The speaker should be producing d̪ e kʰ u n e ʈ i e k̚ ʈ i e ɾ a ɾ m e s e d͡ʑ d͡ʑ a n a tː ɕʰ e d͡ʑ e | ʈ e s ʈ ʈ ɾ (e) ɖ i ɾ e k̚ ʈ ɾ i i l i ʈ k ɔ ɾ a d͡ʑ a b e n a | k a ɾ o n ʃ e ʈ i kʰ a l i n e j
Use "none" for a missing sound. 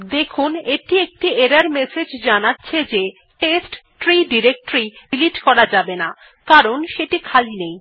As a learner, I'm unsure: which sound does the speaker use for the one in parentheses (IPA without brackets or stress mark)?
i